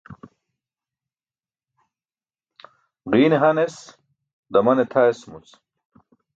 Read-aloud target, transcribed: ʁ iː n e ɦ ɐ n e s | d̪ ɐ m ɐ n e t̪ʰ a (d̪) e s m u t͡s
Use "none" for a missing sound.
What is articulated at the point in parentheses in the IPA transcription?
none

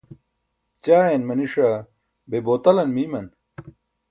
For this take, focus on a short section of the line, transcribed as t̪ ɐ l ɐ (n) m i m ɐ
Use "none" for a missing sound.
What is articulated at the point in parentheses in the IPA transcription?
n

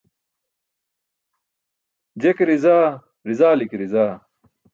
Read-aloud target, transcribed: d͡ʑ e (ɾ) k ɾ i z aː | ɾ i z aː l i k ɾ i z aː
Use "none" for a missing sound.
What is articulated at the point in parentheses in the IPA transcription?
none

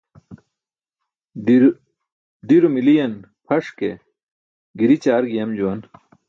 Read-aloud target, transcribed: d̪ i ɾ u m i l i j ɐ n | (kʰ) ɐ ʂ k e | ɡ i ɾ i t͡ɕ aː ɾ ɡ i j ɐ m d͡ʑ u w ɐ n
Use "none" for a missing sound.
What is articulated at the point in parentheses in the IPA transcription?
pʰ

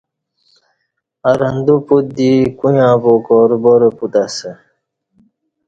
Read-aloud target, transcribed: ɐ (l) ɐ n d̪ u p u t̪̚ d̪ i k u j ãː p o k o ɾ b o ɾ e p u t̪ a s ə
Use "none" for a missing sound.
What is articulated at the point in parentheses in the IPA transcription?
ɾ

